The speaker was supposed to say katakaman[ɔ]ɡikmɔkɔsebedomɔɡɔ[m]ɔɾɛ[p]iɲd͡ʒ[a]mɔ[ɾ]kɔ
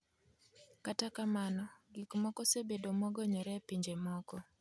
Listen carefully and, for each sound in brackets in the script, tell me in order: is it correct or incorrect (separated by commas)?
correct, incorrect, correct, incorrect, incorrect